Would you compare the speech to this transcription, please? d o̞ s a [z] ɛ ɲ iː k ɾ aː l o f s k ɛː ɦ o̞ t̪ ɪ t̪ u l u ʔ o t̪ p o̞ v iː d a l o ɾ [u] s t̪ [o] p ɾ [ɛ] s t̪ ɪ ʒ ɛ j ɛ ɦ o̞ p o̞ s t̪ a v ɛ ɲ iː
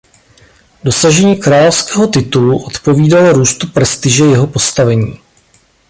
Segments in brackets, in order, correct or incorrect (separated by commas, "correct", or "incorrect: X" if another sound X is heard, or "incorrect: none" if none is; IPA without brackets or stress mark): incorrect: ʒ, incorrect: uː, incorrect: u, correct